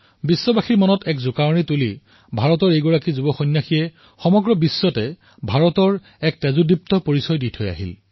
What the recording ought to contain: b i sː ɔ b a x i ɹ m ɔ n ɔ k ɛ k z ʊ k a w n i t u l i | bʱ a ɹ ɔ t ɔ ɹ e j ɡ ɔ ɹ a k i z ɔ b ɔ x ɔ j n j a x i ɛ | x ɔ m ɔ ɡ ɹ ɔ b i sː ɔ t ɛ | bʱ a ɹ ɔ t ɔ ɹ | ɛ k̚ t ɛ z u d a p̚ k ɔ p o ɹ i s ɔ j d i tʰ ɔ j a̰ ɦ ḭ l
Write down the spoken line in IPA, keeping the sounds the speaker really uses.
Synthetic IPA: b i sː ɔ b a x i ɹ m ɔ n ɔ t ɛ k z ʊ k a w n i t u l i | bʱ a ɹ ɔ t ɔ ɹ e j ɡ ɔ ɹ a k i z u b ɔ x ɔ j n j a x i ɛ | x ɔ m ɔ ɡ ɹ ɔ b i sː ɔ t ɛ | bʱ a ɹ ɔ t ɔ ɹ | ɛ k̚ t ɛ z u d i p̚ t ɔ p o ɹ i s ɔ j d i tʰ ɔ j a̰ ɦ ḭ l